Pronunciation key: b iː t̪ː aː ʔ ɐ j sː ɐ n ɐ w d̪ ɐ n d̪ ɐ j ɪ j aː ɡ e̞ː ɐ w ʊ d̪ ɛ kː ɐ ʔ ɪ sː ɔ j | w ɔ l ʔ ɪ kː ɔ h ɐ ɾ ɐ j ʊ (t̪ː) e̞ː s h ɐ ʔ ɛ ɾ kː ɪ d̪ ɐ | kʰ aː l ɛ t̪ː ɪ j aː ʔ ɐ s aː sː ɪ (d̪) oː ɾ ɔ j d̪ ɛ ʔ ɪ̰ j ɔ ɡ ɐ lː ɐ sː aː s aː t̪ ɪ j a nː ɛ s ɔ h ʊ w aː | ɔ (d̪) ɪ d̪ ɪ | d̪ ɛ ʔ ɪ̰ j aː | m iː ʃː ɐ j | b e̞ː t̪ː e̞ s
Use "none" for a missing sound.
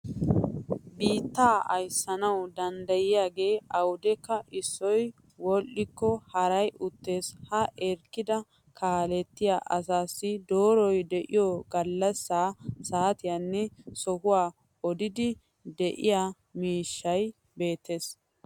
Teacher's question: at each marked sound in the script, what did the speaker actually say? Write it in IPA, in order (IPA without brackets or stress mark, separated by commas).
t̪ː, d̪, d̪